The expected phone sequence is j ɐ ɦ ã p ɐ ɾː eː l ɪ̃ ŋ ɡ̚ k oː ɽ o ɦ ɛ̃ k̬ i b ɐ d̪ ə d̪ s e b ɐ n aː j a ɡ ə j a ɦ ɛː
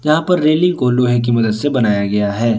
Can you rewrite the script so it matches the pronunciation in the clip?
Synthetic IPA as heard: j ɐ ɦ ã p ɐ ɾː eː l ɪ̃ ŋ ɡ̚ k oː l o ɦ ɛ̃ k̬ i m ɐ d̪ ə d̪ s e b ɐ n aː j a ɡ ɐ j a ɦ ɛː